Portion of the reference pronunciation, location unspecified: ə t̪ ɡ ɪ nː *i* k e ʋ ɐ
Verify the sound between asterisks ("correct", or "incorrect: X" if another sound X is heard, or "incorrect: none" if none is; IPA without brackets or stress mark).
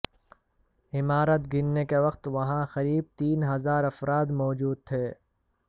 incorrect: e